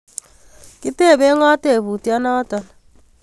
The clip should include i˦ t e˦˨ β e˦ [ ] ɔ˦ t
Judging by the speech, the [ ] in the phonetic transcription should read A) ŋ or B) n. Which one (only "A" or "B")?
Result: A